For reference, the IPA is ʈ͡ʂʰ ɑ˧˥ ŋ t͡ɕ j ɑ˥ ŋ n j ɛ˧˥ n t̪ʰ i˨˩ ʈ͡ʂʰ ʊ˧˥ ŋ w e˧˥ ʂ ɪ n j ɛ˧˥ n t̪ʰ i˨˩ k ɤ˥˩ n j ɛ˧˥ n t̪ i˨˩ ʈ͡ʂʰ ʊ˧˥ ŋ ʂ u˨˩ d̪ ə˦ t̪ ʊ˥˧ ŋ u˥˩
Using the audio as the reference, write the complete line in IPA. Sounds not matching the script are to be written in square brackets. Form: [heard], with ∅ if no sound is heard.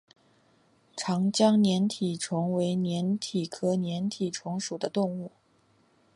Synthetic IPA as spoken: ʈ͡ʂʰ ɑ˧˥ ŋ t͡ɕ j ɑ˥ ŋ n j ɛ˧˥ n t̪ʰ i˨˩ ʈ͡ʂʰ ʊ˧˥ ŋ w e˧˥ [∅] ɪ n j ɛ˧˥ n t̪ʰ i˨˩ [kʰ] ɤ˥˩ n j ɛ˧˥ n [t̪ʰ] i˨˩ ʈ͡ʂʰ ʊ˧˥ ŋ ʂ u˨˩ d̪ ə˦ t̪ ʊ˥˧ ŋ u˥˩